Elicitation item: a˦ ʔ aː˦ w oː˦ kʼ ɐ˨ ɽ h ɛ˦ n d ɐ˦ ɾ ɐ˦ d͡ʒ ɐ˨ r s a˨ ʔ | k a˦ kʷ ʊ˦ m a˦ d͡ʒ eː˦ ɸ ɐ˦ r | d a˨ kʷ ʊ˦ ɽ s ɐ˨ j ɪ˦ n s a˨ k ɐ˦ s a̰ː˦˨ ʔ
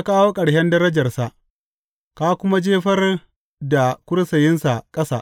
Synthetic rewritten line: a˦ k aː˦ w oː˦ kʼ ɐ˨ ɽ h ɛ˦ n d ɐ˦ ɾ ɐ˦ d͡ʒ ɐ˨ r s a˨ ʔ | k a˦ kʷ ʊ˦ m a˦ d͡ʒ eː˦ ɸ ɐ˦ r | d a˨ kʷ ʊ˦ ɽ s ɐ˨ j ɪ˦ n s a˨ kʼ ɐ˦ s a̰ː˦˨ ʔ